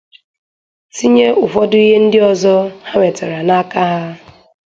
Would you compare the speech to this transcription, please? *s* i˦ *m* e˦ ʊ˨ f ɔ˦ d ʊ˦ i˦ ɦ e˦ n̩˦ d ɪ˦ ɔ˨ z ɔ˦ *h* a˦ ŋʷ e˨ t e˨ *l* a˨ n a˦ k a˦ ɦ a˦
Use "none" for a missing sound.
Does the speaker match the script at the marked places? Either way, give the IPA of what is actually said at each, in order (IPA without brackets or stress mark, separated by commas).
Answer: s, ɲ, h, ɾ